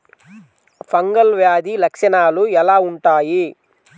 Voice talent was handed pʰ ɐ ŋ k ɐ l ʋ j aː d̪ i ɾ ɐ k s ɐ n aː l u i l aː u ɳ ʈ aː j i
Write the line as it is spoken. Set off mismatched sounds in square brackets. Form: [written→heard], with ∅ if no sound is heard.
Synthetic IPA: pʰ ɐ ŋ [k→ɡ] ɐ l ʋ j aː d̪ i [ɾ→l] ɐ k [s→ʂ] ɐ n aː l u [i→ɛ] l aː u ɳ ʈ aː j i